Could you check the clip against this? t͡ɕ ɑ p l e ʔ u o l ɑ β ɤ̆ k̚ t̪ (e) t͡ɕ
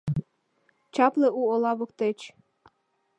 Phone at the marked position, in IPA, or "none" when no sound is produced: e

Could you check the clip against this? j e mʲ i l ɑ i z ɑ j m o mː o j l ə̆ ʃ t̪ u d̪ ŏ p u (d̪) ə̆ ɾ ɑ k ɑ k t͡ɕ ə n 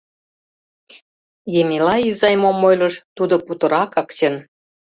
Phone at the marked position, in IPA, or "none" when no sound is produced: t̪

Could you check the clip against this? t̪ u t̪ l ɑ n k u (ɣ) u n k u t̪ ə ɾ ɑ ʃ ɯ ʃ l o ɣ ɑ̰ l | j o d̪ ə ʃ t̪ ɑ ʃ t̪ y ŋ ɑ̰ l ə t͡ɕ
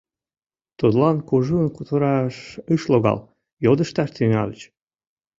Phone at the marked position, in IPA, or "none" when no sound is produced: ʒ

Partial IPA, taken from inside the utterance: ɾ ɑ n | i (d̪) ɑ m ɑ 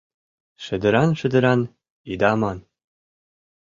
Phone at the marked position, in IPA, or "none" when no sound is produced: d̪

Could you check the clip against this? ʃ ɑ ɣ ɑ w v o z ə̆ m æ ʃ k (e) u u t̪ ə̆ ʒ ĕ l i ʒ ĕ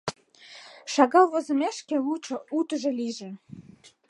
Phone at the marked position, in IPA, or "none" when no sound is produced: e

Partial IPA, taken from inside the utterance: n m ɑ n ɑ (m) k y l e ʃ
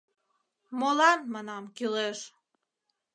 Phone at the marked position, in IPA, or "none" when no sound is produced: m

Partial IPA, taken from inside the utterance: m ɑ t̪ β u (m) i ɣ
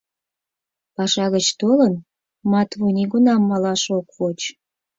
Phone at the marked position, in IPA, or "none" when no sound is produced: n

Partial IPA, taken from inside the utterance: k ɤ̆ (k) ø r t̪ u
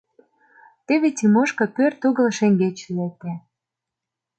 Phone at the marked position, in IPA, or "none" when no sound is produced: p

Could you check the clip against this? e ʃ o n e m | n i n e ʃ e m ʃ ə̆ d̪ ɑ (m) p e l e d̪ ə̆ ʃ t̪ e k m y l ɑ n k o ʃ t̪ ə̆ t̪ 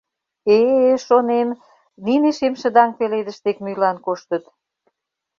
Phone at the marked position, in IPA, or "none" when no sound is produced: ŋ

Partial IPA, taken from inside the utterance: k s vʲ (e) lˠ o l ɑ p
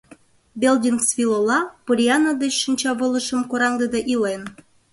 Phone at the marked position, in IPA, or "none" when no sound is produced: i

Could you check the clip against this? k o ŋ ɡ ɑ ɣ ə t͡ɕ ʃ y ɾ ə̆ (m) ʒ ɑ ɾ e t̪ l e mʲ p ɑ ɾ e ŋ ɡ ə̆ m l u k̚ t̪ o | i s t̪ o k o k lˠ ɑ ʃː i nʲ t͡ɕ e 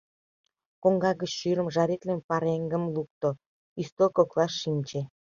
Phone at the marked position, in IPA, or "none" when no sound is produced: m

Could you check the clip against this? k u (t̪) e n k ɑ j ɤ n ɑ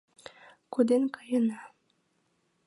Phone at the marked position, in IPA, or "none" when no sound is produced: d̪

